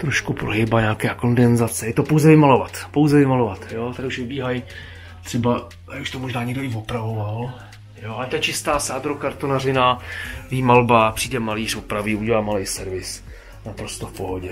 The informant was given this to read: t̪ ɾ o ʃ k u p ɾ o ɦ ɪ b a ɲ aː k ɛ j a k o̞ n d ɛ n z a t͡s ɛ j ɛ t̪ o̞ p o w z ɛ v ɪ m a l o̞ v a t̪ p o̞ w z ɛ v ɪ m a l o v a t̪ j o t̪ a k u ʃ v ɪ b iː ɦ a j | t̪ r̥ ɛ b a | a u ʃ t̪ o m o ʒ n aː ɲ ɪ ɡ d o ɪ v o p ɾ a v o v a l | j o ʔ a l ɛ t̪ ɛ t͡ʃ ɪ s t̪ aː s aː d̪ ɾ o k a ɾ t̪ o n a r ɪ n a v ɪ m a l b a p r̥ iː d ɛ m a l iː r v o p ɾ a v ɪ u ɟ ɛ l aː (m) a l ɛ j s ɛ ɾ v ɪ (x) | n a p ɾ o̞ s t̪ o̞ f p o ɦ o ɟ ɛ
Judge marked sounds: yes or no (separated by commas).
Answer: yes, no